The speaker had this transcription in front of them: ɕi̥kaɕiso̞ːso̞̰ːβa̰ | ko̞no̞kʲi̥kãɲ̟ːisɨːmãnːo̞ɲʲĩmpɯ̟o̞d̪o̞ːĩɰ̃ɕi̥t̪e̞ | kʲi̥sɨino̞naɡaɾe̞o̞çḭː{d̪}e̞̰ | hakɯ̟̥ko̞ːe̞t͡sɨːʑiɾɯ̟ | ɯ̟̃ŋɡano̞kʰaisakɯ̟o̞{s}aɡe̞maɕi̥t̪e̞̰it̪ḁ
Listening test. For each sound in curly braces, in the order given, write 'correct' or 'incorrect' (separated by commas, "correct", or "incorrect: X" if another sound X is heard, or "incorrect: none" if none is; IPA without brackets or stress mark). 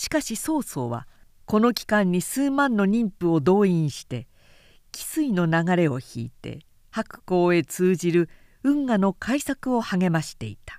incorrect: t̪, incorrect: h